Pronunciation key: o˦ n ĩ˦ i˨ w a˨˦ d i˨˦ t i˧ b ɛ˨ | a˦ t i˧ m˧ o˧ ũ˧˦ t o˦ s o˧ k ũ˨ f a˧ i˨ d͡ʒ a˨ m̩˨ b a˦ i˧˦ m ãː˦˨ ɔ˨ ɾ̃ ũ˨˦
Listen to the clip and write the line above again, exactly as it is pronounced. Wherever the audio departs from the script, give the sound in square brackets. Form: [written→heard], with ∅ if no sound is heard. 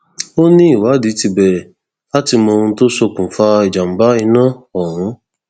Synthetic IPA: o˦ n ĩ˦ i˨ w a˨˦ d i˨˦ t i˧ b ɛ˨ | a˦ t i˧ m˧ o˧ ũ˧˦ t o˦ s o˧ k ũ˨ f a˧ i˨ d͡ʒ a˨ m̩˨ b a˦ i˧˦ [m→n] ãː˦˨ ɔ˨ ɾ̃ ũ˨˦

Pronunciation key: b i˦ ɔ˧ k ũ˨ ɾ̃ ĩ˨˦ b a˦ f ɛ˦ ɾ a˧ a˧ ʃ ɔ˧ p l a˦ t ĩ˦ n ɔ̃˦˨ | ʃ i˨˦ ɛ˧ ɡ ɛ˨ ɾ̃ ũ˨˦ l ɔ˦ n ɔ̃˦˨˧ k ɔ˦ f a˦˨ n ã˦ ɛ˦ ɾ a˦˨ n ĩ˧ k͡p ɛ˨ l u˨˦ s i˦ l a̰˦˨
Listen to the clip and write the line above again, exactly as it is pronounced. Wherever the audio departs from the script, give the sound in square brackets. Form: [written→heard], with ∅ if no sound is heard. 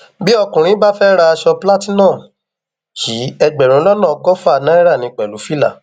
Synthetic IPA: b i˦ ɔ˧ k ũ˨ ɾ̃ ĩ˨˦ b a˦ f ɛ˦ ɾ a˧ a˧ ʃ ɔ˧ p l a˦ t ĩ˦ n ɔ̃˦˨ | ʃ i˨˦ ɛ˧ [ɡ→ɡ͡b] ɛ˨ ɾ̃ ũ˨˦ l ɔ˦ n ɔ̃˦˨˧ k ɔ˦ f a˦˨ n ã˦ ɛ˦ ɾ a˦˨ n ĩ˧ k͡p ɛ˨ l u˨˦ [s→f] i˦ l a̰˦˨

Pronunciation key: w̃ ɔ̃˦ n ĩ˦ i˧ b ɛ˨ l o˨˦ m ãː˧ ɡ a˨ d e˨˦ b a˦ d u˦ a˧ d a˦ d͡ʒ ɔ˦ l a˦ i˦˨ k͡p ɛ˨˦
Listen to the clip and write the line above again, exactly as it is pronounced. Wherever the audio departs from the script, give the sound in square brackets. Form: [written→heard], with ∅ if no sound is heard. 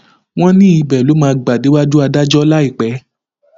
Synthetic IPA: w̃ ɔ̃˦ n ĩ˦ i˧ b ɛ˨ l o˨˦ m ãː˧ [ɡ→ɡ͡b] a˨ d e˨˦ [b→w] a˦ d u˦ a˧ d a˦ d͡ʒ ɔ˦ l a˦ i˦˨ k͡p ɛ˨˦

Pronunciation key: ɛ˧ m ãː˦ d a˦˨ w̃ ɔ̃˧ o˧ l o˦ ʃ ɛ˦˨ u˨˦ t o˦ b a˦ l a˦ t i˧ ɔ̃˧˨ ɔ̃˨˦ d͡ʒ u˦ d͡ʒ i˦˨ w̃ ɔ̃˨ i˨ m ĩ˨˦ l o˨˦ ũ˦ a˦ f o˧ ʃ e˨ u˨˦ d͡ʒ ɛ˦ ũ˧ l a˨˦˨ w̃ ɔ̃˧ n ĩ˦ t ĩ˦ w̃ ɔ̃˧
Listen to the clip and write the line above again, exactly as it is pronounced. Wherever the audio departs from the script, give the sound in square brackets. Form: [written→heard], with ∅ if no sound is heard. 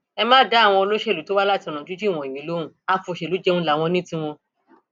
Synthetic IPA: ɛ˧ m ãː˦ d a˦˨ w̃ ɔ̃˧ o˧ l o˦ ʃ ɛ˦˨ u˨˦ t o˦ [b→w] a˦ l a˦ t i˧ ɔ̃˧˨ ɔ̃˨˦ d͡ʒ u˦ d͡ʒ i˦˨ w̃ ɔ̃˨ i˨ m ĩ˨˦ l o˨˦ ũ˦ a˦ f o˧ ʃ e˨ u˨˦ d͡ʒ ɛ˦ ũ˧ l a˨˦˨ w̃ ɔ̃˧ n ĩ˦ t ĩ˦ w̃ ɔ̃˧

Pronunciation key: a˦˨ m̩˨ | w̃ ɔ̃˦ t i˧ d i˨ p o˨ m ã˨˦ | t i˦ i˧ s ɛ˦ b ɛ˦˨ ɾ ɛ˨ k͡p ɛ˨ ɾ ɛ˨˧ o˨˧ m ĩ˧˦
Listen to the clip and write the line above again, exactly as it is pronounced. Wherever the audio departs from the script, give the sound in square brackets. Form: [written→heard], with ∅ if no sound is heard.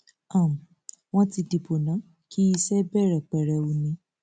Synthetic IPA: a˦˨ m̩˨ | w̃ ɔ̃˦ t i˧ d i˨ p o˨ [m→n] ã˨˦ | [t→k] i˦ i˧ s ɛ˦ b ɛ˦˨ ɾ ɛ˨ k͡p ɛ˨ ɾ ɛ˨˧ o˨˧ [m→n] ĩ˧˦

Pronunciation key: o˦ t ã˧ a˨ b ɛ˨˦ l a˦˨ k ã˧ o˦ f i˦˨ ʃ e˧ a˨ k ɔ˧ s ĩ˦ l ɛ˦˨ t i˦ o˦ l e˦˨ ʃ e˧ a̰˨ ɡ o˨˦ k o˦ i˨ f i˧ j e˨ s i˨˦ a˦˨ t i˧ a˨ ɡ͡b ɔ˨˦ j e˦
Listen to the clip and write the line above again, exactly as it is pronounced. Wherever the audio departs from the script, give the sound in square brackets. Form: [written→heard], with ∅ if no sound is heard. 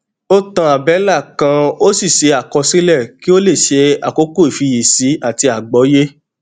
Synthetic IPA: o˦ t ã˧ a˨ b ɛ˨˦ l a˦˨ k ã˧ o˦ [f→s] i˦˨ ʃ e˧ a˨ k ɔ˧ s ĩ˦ l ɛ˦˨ [t→k] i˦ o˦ l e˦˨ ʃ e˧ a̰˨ [ɡ→k] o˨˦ k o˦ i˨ f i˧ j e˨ s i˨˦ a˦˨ t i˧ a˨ ɡ͡b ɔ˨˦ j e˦

